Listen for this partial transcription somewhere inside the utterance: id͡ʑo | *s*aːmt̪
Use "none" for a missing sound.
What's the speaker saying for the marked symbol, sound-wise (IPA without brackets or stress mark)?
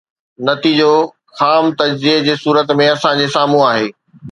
x